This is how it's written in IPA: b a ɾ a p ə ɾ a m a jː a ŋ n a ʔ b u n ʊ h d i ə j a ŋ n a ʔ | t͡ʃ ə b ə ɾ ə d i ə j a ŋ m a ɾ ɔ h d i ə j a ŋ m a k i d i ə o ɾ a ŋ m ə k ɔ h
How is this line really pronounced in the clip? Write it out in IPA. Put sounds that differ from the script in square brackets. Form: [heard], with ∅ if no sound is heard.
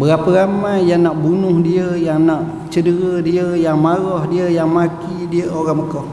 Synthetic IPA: b [ə] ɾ a p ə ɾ a m a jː a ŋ n a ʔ b u n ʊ h d i ə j a ŋ n a ʔ | t͡ʃ ə [d] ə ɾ ə d i ə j a ŋ m a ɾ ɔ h d i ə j a ŋ m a k i d i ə o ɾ a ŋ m ə k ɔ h